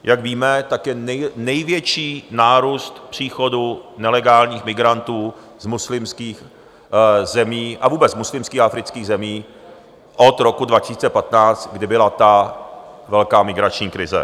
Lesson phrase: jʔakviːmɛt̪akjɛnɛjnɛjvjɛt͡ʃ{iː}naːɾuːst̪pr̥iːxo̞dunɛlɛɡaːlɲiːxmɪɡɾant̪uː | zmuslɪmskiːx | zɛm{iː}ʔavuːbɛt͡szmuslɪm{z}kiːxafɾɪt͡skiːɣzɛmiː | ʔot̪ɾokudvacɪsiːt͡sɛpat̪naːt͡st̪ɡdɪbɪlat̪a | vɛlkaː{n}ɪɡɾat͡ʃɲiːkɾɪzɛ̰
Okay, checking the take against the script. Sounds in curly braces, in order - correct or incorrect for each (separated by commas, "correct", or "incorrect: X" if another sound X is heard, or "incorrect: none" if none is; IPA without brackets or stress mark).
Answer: correct, correct, incorrect: s, incorrect: m